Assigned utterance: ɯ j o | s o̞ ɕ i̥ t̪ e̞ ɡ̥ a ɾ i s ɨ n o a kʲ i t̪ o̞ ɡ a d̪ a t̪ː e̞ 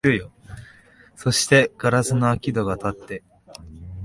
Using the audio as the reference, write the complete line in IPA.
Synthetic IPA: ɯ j o | s o̞ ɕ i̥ t̪ e̞ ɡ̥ a ɾ a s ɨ n o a kʲ i d̪ o̞ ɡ a t̪ a t̪ː e̞